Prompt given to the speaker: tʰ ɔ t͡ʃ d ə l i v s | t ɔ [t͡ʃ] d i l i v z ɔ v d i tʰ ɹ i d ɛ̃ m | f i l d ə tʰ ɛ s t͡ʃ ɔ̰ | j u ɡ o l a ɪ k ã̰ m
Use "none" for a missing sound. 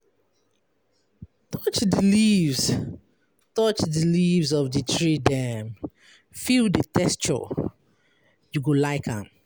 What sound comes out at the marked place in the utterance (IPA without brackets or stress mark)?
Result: t͡ʃ